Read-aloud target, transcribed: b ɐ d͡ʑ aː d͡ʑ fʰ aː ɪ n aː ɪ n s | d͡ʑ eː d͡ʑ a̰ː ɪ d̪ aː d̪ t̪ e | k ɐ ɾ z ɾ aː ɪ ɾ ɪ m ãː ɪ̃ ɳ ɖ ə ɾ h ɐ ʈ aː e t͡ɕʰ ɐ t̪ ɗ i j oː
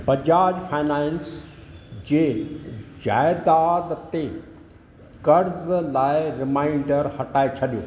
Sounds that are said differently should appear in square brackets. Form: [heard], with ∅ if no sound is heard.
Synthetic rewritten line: b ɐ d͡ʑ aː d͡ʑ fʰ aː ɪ n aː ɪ n s | d͡ʑ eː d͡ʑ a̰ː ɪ d̪ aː d̪ t̪ e | k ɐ ɾ z [l] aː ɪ ɾ ɪ m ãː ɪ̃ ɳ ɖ ə ɾ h ɐ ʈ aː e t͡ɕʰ ɐ [∅] ɗ i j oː

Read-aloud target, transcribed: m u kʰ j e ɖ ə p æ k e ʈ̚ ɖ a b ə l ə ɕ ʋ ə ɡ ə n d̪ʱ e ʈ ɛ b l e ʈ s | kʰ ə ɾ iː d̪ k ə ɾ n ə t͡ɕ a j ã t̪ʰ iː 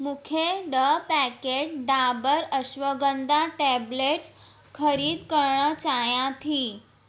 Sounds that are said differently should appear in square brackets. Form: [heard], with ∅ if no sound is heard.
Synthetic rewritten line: m u kʰ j e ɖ ə p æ k e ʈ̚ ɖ a b ə [ɾ] ə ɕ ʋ ə ɡ ə n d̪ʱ [a] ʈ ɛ b l e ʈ s | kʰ ə ɾ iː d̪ k ə ɾ [ɳ] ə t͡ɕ a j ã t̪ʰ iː

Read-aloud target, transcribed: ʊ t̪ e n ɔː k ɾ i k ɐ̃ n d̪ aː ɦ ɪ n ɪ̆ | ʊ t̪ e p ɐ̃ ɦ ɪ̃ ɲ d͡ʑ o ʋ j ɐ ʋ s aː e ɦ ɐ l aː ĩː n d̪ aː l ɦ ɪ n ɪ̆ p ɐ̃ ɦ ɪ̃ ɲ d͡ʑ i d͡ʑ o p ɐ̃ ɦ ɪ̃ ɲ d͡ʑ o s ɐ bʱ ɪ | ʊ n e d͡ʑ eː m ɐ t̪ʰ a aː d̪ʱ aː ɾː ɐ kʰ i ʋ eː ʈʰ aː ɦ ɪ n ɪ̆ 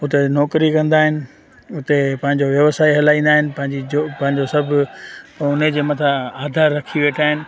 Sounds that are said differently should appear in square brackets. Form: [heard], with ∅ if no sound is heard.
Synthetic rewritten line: ʊ t̪ e n ɔː k ɾ i k ɐ̃ n d̪ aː ɦ ɪ n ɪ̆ | ʊ t̪ e p ɐ̃ ɦ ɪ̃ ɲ d͡ʑ o ʋ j ɐ ʋ s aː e ɦ ɐ l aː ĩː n d̪ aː [∅] ɦ ɪ n ɪ̆ p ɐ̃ ɦ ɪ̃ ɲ d͡ʑ i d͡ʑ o p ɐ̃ ɦ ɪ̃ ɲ d͡ʑ o s ɐ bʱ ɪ | ʊ n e d͡ʑ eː m ɐ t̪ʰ a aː d̪ʱ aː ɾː ɐ kʰ i ʋ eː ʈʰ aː ɦ ɪ n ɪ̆

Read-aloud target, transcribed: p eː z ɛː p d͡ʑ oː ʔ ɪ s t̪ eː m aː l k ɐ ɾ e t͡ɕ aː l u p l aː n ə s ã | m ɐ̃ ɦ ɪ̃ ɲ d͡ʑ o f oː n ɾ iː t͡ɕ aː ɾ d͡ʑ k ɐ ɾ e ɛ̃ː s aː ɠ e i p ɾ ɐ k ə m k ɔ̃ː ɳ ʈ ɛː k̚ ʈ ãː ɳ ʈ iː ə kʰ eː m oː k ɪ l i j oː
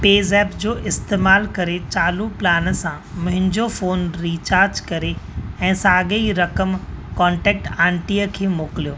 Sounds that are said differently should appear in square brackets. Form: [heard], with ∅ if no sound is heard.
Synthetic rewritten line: p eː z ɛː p d͡ʑ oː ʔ ɪ s t̪ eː m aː l k ɐ ɾ e t͡ɕ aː l u p l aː n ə s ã | m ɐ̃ ɦ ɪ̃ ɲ d͡ʑ o f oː n ɾ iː t͡ɕ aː ɾ d͡ʑ k ɐ ɾ e ɛ̃ː s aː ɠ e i [∅] ɾ ɐ k ə m k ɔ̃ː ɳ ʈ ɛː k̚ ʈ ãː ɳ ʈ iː ə kʰ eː m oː k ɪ l i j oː

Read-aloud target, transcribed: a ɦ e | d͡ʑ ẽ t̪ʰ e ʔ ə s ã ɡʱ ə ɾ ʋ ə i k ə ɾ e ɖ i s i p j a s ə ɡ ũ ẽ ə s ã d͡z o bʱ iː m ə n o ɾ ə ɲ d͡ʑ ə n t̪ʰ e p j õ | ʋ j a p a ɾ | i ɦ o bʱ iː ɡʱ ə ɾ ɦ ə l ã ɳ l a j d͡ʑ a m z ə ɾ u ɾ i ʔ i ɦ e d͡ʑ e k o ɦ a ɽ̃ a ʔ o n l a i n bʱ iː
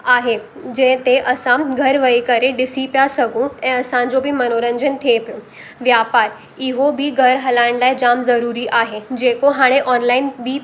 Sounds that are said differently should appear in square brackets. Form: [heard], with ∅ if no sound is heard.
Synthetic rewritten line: a ɦ e | d͡ʑ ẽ [t̪] e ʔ ə s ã ɡʱ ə ɾ ʋ ə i k ə ɾ e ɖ i s i p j a s ə ɡ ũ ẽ ə s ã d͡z o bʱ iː m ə n o ɾ ə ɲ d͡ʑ ə n t̪ʰ e p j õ | ʋ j a p a ɾ | i ɦ o bʱ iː ɡʱ ə ɾ ɦ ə l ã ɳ l a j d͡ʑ a m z ə ɾ u ɾ i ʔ [a] ɦ e d͡ʑ e k o ɦ a ɽ̃ [e] ʔ [ɔ] n l a i n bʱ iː

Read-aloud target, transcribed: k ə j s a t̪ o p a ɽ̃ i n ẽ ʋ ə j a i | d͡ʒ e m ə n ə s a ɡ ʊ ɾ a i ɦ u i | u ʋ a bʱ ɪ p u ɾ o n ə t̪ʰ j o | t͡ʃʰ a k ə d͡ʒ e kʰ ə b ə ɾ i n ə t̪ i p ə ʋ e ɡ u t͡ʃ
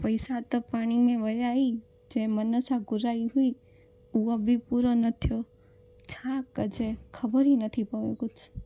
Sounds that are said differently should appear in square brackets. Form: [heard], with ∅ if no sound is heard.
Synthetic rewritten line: [p] ə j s a t̪ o p a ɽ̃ i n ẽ ʋ ə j a i | d͡ʒ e m ə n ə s a ɡ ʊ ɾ a i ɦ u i | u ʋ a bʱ [i] p u ɾ o n ə t̪ʰ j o | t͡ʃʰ a k ə d͡ʒ e kʰ ə b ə ɾ i n ə [t̪ʰ] i p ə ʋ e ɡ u t͡ʃ

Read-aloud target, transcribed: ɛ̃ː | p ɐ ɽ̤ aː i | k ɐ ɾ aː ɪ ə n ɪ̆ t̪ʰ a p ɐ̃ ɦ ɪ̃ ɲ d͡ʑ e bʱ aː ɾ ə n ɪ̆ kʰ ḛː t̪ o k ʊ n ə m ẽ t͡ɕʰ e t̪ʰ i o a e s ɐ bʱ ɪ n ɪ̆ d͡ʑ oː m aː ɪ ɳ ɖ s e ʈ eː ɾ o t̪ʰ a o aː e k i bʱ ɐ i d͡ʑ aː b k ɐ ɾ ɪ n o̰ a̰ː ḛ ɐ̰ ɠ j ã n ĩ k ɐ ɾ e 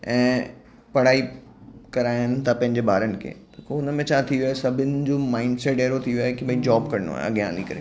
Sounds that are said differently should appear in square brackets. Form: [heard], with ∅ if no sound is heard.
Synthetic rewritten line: ɛ̃ː | p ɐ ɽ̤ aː i | k ɐ ɾ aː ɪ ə n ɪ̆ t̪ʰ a p ɐ̃ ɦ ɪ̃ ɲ d͡ʑ e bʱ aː ɾ ə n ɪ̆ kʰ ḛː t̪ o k ʊ n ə m ẽ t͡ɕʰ [a] t̪ʰ i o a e s ɐ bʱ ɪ n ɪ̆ d͡ʑ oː m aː ɪ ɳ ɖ s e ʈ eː ɾ o t̪ʰ [i] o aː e k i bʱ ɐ i d͡ʑ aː b k ɐ ɾ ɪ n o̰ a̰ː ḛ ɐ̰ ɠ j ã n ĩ k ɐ ɾ e

